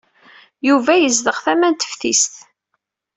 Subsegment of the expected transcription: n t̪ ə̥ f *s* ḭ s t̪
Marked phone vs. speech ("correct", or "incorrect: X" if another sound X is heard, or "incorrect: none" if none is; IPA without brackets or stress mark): incorrect: θ